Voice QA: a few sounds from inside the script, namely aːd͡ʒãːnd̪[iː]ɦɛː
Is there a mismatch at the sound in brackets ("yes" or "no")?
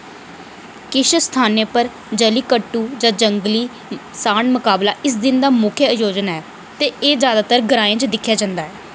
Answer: yes